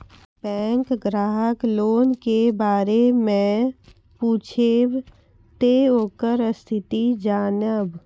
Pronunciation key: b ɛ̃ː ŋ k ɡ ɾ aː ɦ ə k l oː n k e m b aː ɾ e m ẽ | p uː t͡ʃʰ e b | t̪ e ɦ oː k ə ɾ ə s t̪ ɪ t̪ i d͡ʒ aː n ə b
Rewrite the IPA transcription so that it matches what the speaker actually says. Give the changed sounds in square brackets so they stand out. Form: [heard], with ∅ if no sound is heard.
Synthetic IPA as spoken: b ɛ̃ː ŋ k ɡ ɾ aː ɦ ə k l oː n k e [∅] b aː ɾ e m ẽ | p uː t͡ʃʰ e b | t̪ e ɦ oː k ə ɾ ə s [t̪ʰ] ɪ t̪ i d͡ʒ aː n ə b